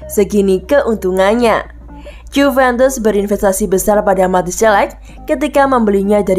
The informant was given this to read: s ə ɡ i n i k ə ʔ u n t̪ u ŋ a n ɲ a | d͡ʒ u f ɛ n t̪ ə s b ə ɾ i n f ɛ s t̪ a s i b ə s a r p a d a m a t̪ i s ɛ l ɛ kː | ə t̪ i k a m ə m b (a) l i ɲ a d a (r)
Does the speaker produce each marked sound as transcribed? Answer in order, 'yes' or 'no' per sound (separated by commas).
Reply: no, no